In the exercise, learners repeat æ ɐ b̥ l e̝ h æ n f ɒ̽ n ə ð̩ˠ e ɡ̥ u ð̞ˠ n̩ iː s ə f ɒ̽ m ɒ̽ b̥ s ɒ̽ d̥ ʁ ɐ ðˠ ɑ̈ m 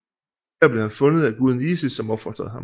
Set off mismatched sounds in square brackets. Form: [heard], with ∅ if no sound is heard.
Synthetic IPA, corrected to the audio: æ ɐ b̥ l e̝ h æ n f [ɔ̽] n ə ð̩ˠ [æ] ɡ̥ u ð̞ˠ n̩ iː s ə [s] ɒ̽ m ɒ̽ b̥ [f] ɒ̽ d̥ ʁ ɐ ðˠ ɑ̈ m